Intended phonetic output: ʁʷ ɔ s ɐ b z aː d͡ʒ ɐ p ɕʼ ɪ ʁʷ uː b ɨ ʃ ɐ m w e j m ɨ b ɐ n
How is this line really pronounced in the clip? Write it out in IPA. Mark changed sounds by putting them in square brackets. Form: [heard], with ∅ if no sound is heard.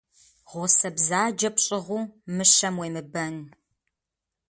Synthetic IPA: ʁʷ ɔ s ɐ b z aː d͡ʒ ɐ p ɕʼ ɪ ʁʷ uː [m] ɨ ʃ ɐ m w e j m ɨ b ɐ n